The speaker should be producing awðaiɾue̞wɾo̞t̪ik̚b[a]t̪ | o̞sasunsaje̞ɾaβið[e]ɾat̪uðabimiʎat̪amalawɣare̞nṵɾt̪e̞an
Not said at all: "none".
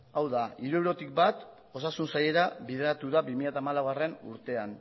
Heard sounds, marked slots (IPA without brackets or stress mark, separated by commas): a, e